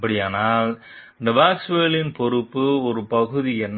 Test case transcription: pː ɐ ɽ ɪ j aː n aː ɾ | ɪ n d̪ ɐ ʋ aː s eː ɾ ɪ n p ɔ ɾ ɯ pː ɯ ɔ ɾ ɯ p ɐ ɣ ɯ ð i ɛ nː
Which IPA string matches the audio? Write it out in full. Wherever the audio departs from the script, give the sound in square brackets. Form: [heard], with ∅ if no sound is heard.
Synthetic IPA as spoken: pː ɐ ɽ ɪ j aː n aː [l] | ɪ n d̪ ɐ ʋ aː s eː [l] ɪ n p ɔ ɾ ɯ pː ɯ ɔ ɾ ɯ p ɐ ɣ ɯ ð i ɛ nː